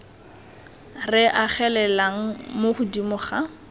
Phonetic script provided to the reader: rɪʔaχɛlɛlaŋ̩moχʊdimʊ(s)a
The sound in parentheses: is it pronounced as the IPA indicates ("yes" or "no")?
no